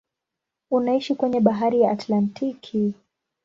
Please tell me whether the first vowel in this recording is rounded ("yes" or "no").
yes